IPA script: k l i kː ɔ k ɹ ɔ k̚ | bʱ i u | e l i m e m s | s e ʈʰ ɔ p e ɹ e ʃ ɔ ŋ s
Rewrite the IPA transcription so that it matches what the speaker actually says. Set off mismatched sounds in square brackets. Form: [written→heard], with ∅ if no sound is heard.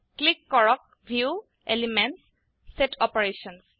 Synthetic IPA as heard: k l i kː ɔ [k→∅] ɹ ɔ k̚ | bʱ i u | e l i m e [m→n] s | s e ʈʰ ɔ p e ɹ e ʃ ɔ [ŋ→n] s